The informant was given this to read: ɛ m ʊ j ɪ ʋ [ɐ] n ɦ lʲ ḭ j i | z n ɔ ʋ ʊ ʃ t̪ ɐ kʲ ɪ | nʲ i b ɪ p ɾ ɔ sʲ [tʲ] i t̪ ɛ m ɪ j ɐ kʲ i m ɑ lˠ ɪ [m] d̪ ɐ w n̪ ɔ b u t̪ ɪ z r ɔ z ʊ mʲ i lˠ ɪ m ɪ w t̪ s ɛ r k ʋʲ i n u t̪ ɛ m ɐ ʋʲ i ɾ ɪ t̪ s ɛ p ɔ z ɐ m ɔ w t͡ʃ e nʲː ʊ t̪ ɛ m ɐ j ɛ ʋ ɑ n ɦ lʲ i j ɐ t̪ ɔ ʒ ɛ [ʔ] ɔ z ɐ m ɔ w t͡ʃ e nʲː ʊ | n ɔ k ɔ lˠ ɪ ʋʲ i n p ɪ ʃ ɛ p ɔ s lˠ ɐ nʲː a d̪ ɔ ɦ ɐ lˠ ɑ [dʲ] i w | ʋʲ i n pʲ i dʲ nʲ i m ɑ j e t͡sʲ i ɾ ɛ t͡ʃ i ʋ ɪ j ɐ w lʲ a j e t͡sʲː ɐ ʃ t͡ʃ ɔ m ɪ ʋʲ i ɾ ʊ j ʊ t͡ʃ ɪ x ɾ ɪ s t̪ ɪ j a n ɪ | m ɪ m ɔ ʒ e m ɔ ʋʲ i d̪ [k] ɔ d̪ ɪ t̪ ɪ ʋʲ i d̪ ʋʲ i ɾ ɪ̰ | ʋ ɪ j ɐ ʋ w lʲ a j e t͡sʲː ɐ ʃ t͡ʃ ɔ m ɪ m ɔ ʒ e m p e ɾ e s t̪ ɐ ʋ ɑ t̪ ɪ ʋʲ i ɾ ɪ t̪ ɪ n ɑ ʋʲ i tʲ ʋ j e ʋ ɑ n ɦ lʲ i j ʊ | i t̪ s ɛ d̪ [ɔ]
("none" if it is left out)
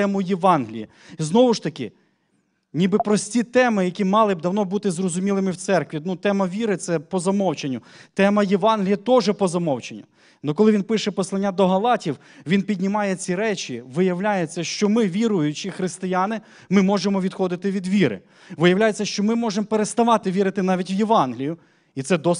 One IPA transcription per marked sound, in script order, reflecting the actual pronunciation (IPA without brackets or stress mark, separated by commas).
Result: ɑ, tʲ, b, p, tʲ, x, ɔ